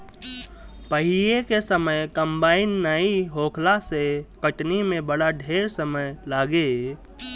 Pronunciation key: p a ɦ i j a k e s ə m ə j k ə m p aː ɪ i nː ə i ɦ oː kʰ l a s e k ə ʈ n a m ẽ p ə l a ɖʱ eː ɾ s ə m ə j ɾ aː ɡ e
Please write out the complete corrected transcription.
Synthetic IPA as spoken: p ə ɦ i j e k e s ə m ə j k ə m b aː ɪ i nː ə i ɦ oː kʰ l a s e k ə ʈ n i m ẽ b ə ɽ a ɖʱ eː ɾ s ə m ə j l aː ɡ e